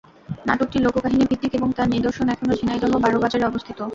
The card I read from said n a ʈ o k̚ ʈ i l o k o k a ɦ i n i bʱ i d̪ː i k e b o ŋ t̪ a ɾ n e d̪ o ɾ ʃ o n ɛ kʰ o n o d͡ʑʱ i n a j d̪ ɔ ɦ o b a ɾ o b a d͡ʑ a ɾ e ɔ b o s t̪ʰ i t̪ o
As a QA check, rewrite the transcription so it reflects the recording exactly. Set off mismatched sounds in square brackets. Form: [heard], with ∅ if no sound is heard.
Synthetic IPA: n a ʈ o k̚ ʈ i l o k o k a ɦ i n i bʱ i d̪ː i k e b o ŋ t̪ a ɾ n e d̪ o ɾ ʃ o n ɛ kʰ o n o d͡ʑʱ i n a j d̪ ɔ ɦ o b a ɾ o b a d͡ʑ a ɾ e ɔ b o s t̪ʰ i t̪ o